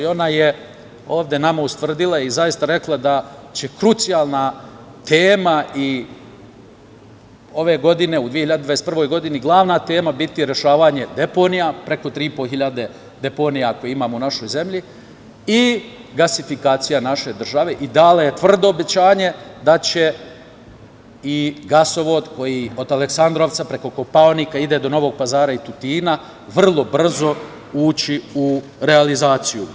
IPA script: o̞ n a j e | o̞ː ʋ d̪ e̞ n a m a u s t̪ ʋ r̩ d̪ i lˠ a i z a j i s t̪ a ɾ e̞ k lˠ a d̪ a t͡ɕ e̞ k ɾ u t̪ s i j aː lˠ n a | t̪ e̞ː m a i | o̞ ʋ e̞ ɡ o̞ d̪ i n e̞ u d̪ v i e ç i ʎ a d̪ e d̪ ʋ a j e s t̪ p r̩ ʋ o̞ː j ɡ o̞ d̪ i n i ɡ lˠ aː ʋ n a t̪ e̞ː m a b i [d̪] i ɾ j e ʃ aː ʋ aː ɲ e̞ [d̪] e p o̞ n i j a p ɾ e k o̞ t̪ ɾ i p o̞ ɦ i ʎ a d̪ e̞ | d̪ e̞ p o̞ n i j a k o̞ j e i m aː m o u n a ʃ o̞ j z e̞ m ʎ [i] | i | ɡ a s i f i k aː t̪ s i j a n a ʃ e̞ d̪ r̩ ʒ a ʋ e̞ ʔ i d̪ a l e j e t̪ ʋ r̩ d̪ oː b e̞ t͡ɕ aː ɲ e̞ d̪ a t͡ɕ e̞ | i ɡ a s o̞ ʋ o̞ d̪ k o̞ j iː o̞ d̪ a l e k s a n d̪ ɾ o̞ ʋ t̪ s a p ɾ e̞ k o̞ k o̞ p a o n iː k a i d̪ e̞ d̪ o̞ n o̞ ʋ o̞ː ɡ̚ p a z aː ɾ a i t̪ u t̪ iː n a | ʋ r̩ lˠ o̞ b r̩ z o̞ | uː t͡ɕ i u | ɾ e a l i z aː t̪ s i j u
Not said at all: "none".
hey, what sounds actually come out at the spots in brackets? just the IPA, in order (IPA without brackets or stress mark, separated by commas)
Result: t̪, d̪, i